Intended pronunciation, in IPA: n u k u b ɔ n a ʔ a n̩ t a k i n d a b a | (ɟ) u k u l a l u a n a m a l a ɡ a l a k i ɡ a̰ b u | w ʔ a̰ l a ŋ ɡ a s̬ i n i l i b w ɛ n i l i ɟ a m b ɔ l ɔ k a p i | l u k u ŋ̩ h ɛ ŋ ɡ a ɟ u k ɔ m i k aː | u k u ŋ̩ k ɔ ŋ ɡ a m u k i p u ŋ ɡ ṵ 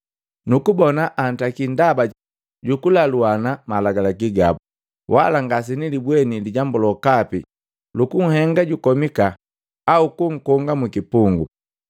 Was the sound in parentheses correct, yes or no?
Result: yes